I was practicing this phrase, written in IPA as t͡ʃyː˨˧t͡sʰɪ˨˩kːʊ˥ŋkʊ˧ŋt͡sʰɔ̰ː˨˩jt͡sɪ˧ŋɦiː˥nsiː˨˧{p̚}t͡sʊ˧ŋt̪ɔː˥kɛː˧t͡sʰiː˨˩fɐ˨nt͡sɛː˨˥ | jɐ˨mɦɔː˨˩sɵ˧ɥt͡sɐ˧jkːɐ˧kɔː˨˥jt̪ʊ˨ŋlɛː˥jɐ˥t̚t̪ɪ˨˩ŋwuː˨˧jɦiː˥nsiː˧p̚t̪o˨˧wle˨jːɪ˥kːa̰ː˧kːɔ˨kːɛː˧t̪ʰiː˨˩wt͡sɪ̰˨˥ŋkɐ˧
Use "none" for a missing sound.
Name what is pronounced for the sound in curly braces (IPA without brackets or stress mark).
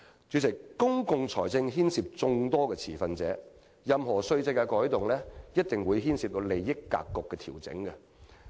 p̚